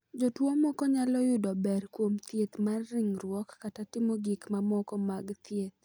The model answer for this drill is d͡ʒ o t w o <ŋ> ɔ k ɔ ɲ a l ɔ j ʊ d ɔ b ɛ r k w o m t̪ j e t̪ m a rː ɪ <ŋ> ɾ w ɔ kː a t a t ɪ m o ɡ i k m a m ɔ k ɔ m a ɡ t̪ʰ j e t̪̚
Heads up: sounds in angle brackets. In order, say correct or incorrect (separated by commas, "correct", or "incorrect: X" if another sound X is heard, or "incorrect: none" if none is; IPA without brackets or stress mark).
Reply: incorrect: m, correct